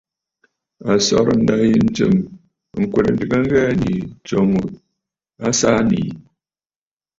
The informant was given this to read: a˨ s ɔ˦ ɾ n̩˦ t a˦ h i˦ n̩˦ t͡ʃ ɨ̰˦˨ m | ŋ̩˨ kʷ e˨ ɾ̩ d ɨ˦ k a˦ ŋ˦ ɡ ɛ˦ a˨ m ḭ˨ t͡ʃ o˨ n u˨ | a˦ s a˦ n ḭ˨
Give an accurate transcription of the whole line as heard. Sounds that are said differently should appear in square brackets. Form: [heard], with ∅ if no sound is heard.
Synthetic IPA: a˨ s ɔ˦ ɾ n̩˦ [d] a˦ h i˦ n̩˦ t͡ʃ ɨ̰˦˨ m | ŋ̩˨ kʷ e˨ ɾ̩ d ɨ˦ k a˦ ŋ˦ ɡ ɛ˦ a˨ [n] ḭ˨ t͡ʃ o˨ [ŋ] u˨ | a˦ s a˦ n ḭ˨